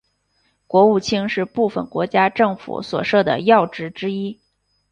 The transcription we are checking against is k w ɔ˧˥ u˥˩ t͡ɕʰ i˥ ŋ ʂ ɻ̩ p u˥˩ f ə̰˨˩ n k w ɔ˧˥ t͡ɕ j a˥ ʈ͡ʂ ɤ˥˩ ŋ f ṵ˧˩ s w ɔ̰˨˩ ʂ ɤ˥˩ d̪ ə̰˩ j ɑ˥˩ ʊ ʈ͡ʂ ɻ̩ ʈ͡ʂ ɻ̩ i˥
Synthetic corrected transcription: k w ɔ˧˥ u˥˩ t͡ɕʰ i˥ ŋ ʂ ɻ̩ p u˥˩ f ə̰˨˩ n k w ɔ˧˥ t͡ɕ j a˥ ʈ͡ʂ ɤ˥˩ ŋ f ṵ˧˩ s w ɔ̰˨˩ ʂ ɤ˥˩ d̪ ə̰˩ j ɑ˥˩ ʊ ʈ͡ʂ ɻ̩ ʈ͡ʂ ɻ̩ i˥